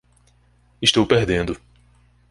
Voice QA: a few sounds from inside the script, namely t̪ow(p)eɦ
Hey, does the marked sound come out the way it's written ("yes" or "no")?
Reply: yes